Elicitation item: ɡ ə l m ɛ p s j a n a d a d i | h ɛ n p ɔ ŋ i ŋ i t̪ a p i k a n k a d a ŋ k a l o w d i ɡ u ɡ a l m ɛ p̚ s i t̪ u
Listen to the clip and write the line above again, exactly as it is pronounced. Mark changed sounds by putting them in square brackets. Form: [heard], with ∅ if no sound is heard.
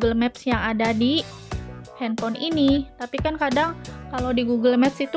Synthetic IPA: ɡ ə l m ɛ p s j a [ŋ] a d a d i | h ɛ n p ɔ [n] i [n] i t̪ a p i k a n k a d a ŋ k a l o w d i ɡ u ɡ [ə] l m ɛ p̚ s i t̪ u